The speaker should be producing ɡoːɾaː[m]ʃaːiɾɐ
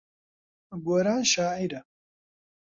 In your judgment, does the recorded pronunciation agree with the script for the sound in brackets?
no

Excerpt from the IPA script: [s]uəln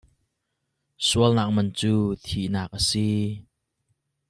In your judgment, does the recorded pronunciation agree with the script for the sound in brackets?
yes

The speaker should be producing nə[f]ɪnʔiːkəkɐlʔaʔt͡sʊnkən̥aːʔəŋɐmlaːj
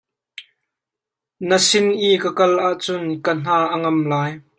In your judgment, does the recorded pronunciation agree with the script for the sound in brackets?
no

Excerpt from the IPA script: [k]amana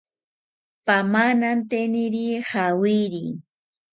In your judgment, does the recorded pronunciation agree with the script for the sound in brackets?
no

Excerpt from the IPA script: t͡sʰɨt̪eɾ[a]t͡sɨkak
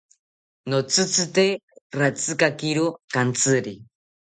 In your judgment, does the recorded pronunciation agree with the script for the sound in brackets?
yes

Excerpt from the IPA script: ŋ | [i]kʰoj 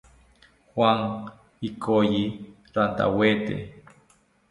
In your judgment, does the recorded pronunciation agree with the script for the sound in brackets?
yes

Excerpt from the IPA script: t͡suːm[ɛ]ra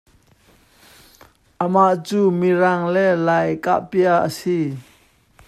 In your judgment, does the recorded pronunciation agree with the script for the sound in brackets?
no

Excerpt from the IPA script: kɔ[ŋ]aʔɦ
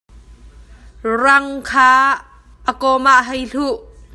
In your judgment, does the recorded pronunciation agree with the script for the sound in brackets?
no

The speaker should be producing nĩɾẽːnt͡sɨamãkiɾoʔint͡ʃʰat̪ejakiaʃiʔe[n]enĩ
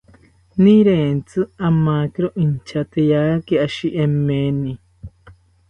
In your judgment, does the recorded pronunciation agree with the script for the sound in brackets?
no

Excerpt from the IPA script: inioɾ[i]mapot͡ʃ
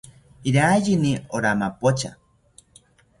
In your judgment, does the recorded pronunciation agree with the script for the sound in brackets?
no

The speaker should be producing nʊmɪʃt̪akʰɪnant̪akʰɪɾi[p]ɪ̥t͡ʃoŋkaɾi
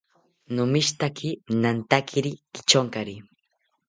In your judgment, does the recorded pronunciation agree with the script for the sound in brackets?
no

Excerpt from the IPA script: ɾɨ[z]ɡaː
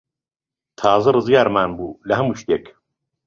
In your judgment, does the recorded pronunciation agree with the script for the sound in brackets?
yes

